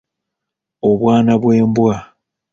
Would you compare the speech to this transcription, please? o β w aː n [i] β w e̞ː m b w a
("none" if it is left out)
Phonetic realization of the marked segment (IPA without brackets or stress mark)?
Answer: a